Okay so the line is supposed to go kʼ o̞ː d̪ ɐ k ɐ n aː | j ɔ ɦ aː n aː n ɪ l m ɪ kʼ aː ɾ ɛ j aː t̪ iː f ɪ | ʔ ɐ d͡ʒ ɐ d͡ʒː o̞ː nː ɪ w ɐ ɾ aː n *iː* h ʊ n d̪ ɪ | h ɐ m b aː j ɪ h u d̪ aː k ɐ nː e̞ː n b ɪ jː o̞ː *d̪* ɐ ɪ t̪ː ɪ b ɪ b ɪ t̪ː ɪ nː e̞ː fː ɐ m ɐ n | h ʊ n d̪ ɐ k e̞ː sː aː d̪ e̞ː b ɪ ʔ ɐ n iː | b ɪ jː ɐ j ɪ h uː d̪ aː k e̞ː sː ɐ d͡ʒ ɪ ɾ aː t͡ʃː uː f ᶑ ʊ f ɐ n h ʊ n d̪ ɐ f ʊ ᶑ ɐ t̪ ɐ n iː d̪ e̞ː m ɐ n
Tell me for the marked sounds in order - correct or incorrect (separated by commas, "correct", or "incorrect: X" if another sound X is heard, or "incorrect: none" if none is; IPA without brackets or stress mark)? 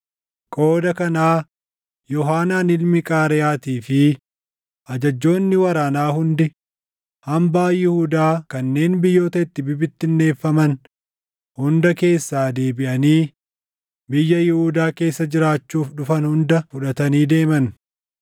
incorrect: aː, incorrect: t̪